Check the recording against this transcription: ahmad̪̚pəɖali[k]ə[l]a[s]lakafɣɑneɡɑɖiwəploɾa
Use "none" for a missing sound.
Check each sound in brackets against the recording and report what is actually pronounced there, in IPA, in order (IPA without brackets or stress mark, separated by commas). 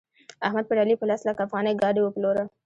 p, l, s